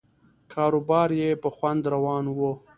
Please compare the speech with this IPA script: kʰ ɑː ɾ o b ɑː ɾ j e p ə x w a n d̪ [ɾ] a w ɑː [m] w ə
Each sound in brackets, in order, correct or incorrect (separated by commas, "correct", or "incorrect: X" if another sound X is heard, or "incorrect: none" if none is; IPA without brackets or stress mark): correct, incorrect: n